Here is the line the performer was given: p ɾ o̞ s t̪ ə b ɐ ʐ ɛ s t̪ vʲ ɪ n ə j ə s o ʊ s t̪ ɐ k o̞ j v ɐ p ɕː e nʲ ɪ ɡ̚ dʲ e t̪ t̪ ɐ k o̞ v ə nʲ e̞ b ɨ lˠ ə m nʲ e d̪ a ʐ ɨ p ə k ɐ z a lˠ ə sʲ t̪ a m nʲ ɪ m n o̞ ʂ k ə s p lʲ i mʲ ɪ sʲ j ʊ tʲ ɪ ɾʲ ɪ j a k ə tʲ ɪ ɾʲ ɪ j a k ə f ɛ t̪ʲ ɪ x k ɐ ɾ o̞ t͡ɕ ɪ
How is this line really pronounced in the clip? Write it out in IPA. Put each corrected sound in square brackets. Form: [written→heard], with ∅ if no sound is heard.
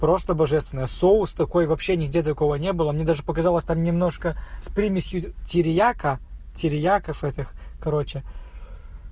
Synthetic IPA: p ɾ o̞ s t̪ ə b ɐ ʐ ɛ s t̪ vʲ ɪ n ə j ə s o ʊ s t̪ ɐ k o̞ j v ɐ p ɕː e nʲ ɪ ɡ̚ dʲ e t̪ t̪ ɐ k o̞ v ə nʲ e̞ b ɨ lˠ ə m nʲ e d̪ a ʐ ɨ p ə k ɐ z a lˠ ə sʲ t̪ a m nʲ ɪ m n o̞ ʂ k ə s p [lʲ→ɾʲ] i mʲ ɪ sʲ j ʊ tʲ ɪ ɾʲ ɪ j a k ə tʲ ɪ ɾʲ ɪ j a k ə f ɛ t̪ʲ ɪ x k ɐ ɾ o̞ t͡ɕ ɪ